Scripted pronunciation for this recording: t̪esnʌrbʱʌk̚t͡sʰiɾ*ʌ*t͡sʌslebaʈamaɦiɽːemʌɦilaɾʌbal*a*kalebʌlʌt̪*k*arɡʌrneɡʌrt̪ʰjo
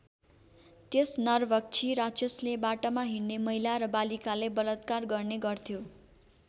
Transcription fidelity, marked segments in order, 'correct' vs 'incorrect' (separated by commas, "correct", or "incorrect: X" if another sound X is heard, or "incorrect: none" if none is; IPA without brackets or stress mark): incorrect: a, incorrect: i, correct